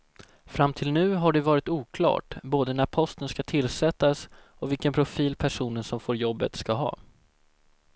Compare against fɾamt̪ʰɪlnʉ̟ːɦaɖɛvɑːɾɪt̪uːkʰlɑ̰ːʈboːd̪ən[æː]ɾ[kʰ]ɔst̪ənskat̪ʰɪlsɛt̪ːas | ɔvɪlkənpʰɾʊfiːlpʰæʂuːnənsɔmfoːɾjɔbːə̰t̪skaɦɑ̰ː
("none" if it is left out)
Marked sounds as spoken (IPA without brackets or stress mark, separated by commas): æ, pʰ